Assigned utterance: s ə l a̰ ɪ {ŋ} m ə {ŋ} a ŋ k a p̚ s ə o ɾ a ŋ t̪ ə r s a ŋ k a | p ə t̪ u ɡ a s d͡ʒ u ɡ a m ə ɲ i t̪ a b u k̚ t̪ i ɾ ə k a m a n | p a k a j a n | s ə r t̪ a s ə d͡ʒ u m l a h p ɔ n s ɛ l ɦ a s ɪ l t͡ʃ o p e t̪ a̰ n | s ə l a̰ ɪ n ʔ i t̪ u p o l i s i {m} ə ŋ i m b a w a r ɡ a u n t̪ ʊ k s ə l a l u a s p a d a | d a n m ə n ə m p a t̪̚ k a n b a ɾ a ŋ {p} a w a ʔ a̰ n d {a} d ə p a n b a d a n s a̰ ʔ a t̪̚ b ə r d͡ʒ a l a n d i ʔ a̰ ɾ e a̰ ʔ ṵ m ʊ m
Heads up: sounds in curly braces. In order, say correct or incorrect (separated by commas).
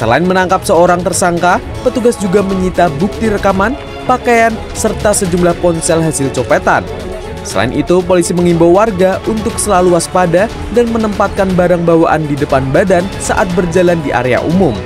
incorrect, incorrect, correct, incorrect, incorrect